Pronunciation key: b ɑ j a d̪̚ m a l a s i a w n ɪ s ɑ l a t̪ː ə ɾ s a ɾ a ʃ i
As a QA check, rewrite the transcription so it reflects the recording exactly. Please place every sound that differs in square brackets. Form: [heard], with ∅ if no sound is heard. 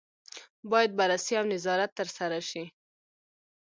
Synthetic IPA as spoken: b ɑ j a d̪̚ [b] a [ɾ] a s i a w n ɪ [z] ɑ [ɾ] a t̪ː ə ɾ s a ɾ a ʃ i